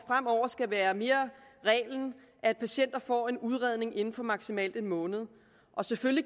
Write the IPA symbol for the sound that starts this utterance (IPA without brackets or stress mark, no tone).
f